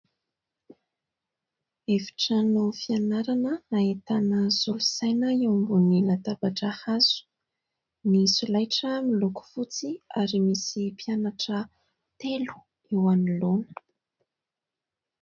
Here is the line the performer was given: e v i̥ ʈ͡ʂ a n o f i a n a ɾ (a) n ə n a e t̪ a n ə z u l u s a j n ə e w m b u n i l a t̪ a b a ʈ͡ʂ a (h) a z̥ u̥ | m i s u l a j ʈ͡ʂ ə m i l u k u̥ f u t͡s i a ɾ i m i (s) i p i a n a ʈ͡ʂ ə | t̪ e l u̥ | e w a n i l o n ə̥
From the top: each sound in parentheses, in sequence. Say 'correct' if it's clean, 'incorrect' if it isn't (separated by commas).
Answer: correct, correct, correct